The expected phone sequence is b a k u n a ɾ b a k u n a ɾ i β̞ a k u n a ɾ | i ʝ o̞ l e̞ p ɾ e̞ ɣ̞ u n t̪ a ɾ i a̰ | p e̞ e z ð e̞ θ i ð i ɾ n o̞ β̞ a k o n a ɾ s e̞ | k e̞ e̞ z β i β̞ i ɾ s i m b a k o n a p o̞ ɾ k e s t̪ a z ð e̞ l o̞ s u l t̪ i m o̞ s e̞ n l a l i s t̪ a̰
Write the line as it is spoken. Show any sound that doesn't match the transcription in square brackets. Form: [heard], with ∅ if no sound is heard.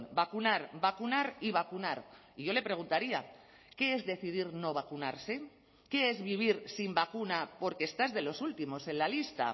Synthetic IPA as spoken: b a k u n a ɾ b a k u n a ɾ i β̞ a k u n a ɾ | i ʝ o̞ l e̞ p ɾ e̞ ɣ̞ u n t̪ a ɾ i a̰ | [k] e̞ e z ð e̞ θ i ð i ɾ n o̞ β̞ a k [u] n a ɾ s e̞ | k e̞ e̞ z β i β̞ i ɾ s i m b a k [u] n a p o̞ ɾ k e s t̪ a z ð e̞ l o̞ s u l t̪ i m o̞ s e̞ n l a l i s t̪ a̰